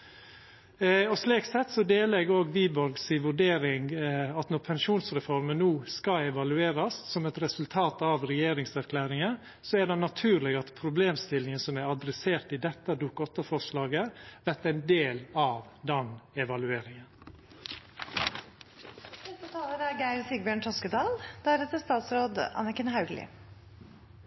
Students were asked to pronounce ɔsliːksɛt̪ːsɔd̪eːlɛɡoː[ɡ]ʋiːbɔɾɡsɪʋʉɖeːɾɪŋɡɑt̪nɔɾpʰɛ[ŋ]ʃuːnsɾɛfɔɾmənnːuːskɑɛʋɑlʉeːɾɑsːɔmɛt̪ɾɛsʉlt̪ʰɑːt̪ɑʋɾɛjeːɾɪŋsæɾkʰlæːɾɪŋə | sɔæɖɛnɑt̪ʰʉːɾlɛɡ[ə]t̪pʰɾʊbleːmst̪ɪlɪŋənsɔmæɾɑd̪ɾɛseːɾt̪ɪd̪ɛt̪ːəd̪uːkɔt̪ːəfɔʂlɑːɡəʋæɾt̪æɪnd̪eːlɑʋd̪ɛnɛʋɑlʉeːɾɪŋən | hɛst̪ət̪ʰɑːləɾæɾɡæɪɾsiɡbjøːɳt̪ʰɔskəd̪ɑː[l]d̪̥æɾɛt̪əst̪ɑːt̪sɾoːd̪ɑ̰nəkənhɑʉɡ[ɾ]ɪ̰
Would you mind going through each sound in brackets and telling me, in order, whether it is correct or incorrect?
correct, incorrect, incorrect, correct, incorrect

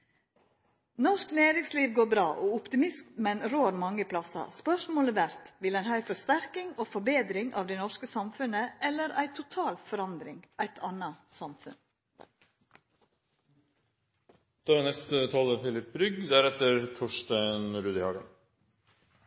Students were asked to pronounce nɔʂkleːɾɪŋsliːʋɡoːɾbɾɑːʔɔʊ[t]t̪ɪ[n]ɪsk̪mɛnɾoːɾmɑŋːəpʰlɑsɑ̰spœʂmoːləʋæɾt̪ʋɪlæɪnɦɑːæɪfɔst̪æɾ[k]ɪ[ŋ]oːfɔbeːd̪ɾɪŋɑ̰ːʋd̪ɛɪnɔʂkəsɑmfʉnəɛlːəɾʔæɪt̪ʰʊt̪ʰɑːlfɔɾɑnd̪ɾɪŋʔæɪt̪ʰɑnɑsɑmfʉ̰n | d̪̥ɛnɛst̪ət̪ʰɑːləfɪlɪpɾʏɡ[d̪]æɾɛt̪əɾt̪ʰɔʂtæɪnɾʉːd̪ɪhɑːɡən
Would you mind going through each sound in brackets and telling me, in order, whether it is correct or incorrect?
incorrect, incorrect, correct, correct, correct

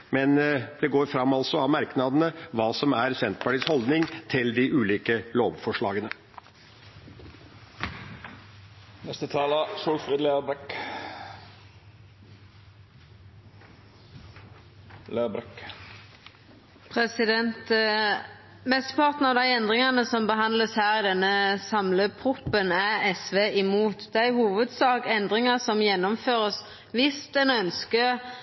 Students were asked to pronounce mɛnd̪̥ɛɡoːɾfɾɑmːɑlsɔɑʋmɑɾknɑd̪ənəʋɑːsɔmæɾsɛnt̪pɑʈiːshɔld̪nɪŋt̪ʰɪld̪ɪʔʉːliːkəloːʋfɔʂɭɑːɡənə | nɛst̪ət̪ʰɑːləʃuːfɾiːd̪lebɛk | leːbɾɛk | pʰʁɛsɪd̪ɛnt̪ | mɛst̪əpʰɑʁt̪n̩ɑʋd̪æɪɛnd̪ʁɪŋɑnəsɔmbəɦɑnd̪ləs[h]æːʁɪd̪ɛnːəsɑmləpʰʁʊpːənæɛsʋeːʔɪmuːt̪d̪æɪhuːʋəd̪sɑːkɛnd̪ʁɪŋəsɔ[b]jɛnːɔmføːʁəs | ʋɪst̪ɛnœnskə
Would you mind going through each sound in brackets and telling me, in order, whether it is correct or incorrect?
correct, incorrect

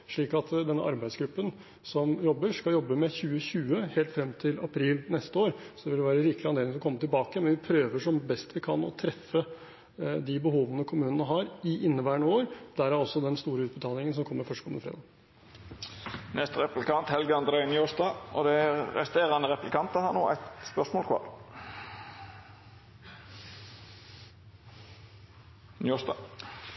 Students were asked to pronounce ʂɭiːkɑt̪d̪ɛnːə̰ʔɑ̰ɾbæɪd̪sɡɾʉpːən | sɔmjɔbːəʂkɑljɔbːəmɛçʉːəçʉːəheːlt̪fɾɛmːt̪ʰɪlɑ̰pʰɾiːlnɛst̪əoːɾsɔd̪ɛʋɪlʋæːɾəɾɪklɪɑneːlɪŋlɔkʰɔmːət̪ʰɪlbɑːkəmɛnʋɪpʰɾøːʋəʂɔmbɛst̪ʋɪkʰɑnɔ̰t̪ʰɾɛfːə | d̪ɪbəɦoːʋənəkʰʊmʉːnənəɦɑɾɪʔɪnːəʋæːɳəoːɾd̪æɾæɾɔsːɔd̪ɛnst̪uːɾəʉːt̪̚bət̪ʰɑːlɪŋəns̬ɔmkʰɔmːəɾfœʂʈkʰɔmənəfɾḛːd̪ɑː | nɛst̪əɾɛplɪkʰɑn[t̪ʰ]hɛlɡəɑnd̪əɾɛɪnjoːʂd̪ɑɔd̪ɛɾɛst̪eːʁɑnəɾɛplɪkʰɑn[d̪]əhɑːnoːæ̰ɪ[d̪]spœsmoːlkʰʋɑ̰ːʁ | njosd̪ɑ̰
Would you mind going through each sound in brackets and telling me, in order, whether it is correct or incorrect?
incorrect, incorrect, incorrect

